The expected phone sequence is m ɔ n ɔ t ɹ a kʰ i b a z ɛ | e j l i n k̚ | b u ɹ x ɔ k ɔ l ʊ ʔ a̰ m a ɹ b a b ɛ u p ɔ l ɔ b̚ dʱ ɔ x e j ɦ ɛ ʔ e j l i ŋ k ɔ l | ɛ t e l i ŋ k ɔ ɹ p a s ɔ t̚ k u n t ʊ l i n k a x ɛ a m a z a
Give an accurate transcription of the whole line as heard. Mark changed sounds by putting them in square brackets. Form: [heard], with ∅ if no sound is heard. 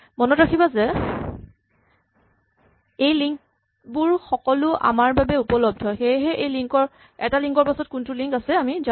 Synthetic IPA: m ɔ n ɔ t ɹ a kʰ i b a z ɛ | e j l i [ŋ] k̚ | b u ɹ x ɔ k ɔ l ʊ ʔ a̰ m a ɹ b a b ɛ u p ɔ l ɔ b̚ dʱ ɔ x e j ɦ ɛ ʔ e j l i ŋ k ɔ [ɹ] | ɛ t [a] l i ŋ k ɔ ɹ p a s ɔ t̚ k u n t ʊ l i [ŋ] k a [s] ɛ a m [i] z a